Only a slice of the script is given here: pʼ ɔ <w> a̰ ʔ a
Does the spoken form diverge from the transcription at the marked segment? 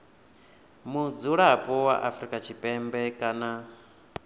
no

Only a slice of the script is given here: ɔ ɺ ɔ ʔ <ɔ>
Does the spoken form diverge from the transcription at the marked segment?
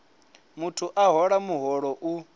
yes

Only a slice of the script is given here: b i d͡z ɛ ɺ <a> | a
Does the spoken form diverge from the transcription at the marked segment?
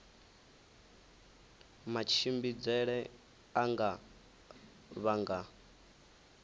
yes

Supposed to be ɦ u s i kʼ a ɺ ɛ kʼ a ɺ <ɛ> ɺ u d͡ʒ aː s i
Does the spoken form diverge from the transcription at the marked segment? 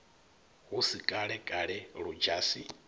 no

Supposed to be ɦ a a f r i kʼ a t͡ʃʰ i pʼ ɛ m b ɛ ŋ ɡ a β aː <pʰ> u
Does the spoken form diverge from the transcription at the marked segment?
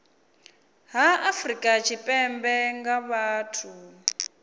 yes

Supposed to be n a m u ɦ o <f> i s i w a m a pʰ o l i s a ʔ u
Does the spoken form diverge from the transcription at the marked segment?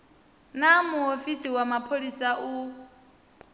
no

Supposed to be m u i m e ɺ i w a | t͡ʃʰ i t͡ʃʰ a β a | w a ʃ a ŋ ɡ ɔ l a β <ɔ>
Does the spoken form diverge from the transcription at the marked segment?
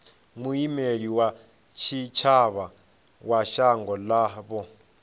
no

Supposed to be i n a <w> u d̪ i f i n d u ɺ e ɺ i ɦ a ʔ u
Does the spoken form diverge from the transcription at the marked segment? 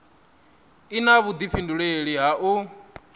yes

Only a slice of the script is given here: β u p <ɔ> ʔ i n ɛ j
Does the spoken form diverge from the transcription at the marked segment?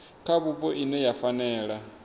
no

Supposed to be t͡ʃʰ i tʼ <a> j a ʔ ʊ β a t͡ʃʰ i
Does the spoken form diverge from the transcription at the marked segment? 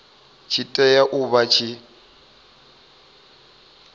yes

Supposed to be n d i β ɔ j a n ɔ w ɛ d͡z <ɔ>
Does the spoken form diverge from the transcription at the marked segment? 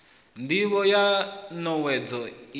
no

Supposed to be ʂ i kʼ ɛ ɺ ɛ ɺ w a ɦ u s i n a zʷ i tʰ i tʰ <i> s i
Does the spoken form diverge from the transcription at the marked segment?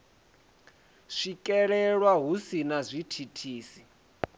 yes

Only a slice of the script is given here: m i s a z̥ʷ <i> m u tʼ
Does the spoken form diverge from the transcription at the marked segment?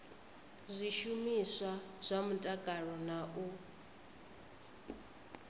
yes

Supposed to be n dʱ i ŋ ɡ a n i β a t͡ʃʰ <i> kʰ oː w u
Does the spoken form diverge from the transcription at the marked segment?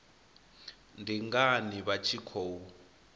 no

